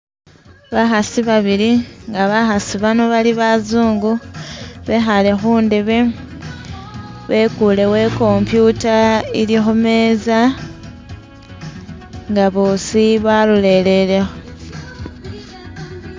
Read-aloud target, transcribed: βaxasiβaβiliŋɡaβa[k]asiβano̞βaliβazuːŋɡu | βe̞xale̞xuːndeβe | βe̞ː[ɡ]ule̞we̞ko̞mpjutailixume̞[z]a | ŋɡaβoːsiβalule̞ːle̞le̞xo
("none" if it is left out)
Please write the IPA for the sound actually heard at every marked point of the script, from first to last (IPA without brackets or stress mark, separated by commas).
x, k, z